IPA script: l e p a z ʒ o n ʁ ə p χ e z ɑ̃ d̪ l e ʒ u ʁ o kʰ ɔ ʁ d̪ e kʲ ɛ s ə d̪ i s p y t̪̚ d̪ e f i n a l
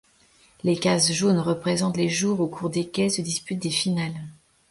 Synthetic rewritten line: l e k a z ʒ o n ʁ ə p χ e z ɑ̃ t̪ l e ʒ u ʁ o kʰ u ʁ d̪ e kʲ ɛ s ə d̪ i s p y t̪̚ d̪ e f i n a l